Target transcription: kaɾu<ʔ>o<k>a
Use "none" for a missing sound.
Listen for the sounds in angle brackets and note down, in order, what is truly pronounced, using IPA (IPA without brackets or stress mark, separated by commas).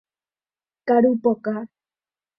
p, k